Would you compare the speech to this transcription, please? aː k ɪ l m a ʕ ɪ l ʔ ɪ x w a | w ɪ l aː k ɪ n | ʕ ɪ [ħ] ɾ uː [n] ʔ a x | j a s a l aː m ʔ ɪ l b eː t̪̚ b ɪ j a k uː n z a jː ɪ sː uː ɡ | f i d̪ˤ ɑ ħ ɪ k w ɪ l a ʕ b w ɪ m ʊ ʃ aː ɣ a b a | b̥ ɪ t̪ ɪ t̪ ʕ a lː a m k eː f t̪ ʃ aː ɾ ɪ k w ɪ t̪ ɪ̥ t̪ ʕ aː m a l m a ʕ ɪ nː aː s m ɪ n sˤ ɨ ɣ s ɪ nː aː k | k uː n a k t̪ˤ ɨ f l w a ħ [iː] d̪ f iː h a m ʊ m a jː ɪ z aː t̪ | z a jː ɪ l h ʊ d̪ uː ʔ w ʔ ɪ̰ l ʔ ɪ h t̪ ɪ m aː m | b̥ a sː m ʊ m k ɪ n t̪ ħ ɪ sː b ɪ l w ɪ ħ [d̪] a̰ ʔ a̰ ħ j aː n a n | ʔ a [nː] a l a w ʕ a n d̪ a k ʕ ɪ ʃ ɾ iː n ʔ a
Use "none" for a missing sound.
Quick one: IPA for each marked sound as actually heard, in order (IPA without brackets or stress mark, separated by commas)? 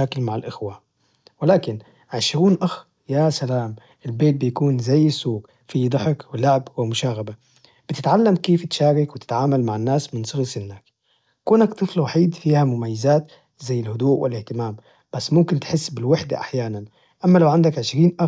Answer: ʃ, n, iː, d̪, mː